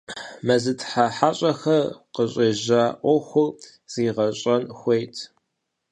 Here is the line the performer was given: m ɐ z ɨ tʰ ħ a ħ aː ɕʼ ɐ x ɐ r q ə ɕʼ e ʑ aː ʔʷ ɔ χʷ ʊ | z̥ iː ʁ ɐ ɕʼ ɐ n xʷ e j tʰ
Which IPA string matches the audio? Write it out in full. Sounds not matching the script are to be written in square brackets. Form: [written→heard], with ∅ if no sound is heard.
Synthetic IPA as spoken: m ɐ z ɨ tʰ ħ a ħ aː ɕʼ ɐ x ɐ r q ə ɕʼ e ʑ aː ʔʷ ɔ [χʷ→xʷ] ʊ | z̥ iː ʁ ɐ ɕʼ ɐ n xʷ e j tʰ